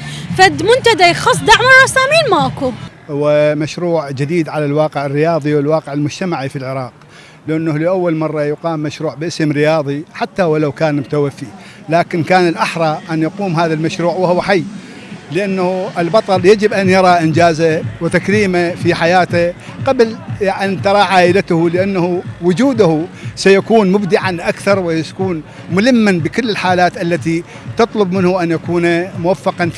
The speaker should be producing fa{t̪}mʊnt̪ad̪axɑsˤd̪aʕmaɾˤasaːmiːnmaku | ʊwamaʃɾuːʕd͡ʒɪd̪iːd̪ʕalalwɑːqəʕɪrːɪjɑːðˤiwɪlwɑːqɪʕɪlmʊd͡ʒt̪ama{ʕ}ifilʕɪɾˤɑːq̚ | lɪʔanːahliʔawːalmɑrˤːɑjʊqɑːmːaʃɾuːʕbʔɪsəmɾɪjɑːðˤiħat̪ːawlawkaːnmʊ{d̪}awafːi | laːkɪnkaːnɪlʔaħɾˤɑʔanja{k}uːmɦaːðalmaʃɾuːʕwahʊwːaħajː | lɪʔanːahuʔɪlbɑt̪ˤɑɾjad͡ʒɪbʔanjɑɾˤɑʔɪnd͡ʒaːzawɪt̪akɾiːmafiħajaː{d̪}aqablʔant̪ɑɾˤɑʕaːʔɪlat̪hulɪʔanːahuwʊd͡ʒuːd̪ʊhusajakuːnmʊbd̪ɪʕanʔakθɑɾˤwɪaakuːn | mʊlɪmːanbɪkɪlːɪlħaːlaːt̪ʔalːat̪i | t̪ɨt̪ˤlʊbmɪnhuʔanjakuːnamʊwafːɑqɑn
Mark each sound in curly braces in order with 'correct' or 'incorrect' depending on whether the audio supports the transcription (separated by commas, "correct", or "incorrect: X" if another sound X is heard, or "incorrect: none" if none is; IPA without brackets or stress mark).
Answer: incorrect: d̪, correct, incorrect: t̪, incorrect: q, incorrect: t̪